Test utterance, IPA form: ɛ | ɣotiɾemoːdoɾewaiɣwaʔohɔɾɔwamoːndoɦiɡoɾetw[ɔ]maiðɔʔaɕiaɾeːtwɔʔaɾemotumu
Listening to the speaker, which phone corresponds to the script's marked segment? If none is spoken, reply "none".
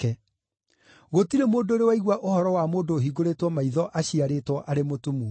ɔ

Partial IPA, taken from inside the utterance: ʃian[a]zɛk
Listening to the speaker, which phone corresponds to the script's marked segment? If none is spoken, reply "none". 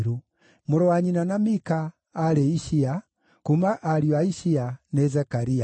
ɛ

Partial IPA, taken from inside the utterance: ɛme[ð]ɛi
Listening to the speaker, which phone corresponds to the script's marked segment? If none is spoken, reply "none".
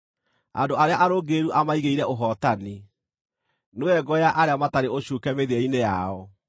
ð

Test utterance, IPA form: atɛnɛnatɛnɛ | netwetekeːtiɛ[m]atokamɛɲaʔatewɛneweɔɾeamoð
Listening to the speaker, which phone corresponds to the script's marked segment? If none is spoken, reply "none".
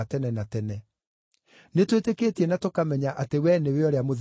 n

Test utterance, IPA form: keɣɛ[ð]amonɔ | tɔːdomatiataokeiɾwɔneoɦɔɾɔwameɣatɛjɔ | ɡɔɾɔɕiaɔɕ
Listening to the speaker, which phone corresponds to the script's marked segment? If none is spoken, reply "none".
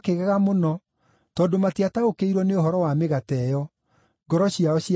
ɣ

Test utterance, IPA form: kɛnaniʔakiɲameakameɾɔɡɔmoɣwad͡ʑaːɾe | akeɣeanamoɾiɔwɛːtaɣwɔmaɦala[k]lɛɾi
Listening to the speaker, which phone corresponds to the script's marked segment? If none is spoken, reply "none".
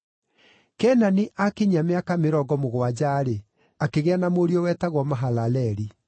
none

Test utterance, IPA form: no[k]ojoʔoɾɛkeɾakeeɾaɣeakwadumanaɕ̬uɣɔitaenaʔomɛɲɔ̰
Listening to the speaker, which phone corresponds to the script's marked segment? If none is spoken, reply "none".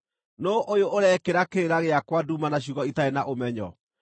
ʔ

